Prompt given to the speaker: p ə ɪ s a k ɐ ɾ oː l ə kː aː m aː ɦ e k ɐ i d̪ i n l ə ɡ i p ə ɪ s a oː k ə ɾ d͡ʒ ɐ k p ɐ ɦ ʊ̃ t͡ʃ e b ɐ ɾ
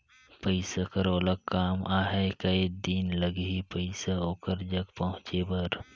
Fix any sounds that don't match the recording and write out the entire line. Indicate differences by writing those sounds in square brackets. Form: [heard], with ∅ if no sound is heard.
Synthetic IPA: p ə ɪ s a k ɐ ɾ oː l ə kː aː m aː ɦ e k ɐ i d̪ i n l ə ɡ i p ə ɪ s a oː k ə ɾ d͡ʒ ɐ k p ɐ ɦ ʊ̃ t͡ʃ e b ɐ ɾ